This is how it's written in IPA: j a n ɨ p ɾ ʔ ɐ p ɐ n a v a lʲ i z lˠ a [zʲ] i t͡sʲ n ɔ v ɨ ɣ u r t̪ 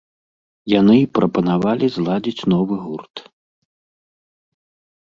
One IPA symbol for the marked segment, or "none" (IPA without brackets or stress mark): d͡zʲ